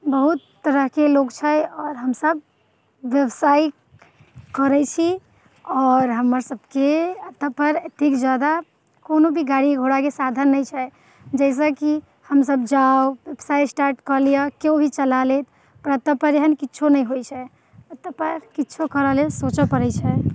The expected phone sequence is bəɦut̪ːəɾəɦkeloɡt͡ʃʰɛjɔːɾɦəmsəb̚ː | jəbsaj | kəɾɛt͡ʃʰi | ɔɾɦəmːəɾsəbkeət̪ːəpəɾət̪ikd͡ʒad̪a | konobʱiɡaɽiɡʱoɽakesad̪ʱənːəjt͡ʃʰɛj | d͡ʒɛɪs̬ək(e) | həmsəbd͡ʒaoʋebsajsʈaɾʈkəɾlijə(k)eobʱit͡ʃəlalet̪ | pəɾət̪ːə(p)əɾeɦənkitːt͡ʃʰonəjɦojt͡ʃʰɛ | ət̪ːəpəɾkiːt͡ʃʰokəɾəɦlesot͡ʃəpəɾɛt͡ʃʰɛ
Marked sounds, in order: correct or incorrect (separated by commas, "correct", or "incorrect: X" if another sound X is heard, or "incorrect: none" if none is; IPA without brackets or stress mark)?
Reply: incorrect: i, correct, correct